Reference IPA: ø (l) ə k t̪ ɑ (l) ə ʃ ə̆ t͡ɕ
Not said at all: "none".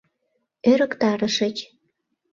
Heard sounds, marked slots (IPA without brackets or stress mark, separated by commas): ɾ, ɾ